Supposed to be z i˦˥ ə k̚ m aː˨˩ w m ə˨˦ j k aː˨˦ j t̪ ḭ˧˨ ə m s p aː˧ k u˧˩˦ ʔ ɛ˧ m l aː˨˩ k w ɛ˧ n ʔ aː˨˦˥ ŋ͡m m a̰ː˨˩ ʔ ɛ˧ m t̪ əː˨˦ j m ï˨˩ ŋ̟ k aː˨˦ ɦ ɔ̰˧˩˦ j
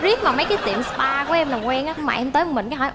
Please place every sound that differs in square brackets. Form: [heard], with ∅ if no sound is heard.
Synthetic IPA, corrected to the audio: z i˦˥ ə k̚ m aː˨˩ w m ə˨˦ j k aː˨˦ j t̪ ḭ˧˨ ə m s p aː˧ k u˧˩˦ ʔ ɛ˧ m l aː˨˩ k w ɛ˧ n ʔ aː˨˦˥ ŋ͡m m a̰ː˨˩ ʔ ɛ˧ m t̪ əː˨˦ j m ï˨˩ ŋ̟ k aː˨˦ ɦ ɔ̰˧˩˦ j